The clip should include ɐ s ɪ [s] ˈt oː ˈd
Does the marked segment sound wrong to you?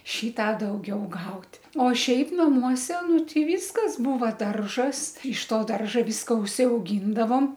yes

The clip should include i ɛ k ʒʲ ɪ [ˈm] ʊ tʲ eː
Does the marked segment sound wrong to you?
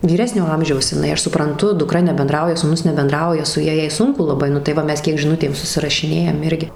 yes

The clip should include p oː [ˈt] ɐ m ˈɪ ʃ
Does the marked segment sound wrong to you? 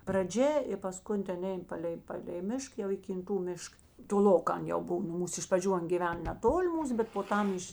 no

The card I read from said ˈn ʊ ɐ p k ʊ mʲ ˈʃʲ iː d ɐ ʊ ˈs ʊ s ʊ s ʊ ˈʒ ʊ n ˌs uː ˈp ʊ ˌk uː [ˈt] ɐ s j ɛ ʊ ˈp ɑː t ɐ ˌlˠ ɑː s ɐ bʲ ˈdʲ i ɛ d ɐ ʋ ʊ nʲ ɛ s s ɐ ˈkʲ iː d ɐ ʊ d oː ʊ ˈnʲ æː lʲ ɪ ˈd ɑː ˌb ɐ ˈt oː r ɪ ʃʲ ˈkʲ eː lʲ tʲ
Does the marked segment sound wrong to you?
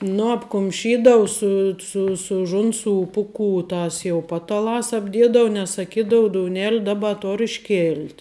no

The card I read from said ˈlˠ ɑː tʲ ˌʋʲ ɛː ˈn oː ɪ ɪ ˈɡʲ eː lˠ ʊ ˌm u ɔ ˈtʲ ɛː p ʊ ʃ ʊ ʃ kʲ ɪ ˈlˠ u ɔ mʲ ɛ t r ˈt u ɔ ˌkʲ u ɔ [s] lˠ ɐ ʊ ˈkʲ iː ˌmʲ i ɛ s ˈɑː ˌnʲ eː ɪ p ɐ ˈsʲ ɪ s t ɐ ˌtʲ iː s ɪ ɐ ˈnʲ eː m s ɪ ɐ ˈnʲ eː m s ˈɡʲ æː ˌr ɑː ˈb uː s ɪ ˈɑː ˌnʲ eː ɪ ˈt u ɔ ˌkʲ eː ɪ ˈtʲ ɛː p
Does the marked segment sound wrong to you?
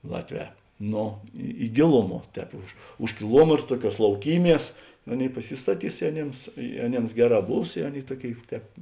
no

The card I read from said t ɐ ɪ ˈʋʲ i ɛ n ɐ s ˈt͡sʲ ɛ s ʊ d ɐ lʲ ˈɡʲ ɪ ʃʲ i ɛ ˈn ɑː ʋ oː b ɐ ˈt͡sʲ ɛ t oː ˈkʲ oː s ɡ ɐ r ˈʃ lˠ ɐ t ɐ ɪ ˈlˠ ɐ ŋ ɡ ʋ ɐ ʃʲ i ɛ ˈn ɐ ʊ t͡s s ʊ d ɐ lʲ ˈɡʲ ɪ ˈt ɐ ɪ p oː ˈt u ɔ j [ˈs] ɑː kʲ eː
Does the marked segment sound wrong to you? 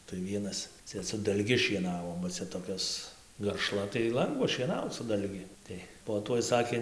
no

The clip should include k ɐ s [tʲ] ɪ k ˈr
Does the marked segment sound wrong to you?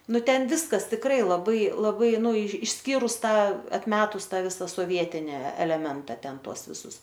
no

